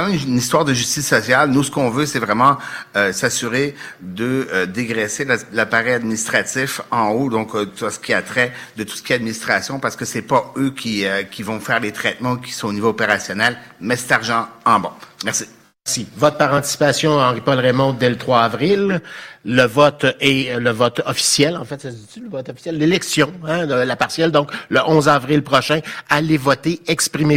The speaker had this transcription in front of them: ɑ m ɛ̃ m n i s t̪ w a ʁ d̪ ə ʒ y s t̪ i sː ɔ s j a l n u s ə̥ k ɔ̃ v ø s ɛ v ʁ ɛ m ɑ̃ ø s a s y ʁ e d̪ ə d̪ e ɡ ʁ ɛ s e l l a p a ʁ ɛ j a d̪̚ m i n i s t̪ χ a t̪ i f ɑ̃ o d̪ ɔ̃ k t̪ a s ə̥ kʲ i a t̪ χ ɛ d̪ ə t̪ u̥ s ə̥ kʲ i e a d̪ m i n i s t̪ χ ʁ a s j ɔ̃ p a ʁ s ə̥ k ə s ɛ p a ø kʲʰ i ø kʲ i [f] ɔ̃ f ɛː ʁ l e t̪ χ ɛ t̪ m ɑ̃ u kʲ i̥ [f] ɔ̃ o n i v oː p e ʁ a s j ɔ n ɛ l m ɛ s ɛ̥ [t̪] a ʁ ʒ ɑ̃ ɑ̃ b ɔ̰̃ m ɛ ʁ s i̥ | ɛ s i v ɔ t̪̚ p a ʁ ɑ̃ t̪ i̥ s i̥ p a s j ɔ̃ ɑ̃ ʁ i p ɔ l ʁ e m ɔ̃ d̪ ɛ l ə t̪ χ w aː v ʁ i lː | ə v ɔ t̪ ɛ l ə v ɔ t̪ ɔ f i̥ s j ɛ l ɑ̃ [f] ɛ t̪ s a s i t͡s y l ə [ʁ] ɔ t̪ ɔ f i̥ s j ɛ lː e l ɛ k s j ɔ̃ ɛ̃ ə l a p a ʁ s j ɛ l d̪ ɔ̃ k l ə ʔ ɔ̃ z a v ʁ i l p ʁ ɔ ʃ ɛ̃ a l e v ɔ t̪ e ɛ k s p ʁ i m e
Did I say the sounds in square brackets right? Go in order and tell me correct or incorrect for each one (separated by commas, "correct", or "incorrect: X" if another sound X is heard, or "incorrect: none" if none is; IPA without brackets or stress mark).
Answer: incorrect: v, incorrect: s, correct, correct, incorrect: v